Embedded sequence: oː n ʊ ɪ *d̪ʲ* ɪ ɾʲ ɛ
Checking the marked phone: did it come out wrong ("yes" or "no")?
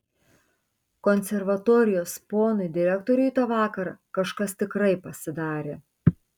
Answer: no